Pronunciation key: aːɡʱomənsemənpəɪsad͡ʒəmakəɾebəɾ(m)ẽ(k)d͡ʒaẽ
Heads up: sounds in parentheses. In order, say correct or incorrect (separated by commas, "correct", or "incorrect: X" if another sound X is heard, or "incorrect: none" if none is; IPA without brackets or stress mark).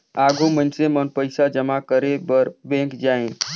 incorrect: b, correct